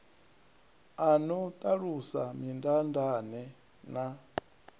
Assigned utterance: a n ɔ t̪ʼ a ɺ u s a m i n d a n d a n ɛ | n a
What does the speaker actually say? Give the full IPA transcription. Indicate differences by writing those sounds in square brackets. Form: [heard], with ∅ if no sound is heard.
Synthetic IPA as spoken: a n ɔ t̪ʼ a ɺ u s a m i n d a n d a n ɛ | n a